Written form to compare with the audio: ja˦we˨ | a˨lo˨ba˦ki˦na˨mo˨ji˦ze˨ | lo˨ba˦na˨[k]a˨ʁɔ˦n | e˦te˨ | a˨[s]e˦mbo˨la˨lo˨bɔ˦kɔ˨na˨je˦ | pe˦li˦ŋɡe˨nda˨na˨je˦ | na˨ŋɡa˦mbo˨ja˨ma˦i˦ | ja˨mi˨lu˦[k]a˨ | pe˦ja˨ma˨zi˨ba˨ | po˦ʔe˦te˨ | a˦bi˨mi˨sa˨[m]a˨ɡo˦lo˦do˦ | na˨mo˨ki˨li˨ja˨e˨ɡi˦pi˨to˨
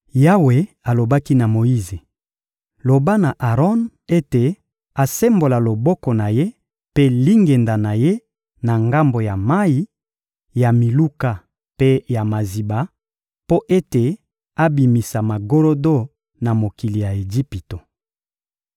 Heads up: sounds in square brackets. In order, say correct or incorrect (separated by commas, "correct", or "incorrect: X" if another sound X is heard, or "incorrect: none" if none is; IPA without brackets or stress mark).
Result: incorrect: ʔ, correct, correct, correct